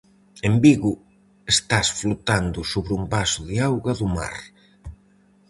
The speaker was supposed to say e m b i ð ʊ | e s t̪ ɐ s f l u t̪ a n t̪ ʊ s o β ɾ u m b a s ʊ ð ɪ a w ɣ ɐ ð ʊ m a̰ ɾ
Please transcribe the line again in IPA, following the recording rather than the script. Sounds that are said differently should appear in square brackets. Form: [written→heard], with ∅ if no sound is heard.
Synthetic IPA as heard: e m b i [ð→ɣ] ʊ | e s t̪ [ɐ→a] s f l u t̪ a n [t̪→d̪] ʊ s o β ɾ u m b a s ʊ ð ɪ a w ɣ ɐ ð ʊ m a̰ ɾ